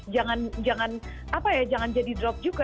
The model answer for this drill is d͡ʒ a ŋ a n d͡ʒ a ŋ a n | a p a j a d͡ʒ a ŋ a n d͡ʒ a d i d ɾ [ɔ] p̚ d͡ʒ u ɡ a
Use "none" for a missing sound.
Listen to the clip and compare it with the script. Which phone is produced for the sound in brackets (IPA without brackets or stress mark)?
ɔ